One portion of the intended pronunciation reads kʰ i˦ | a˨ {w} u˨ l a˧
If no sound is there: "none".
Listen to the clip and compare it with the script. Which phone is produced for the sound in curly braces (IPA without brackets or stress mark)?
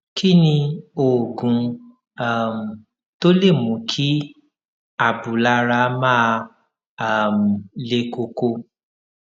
b